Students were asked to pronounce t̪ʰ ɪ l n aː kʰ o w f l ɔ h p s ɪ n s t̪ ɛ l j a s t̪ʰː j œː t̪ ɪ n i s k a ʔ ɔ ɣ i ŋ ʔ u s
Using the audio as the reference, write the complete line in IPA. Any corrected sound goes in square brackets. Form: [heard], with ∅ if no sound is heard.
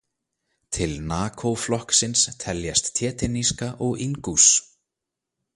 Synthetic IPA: t̪ʰ ɪ l n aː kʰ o w f l ɔ h [k] s ɪ n s [t̪ʰ] ɛ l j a s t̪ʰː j [ɛː] t̪ ɪ n i s k a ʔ ɔ ɣ i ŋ [k] u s